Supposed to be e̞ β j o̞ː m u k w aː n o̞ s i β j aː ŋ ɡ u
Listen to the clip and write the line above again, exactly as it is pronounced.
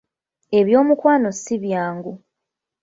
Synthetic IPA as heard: e̞ β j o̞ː m u k w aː n o̞ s i β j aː ŋ ɡ u